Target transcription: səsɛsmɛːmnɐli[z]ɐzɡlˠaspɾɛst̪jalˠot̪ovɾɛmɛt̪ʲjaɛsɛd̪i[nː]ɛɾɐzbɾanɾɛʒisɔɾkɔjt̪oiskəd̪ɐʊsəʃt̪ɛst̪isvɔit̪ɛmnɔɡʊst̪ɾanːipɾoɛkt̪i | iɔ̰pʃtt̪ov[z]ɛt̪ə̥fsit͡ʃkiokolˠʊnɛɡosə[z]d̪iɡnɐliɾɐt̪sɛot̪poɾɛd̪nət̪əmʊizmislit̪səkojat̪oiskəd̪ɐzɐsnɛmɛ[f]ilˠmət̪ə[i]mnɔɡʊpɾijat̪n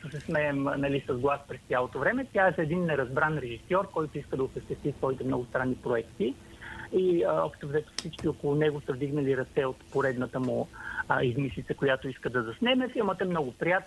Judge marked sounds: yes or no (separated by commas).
no, yes, yes, no, yes, no